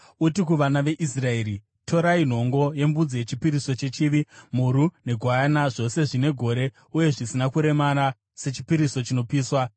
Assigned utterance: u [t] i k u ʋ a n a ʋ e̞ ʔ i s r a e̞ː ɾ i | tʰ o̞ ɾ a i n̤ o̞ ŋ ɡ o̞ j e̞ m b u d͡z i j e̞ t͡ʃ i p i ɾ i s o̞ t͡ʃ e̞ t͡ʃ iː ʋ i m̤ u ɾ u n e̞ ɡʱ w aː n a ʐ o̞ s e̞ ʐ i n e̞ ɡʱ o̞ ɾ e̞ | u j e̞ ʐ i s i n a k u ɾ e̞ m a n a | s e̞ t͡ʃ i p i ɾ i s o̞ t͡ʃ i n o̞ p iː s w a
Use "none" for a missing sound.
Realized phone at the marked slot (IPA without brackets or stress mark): t